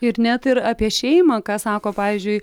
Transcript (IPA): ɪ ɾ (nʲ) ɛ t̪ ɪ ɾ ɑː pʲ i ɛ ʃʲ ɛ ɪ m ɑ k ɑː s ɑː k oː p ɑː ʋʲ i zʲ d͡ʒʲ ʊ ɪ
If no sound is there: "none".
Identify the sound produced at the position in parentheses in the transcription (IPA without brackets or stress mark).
nʲ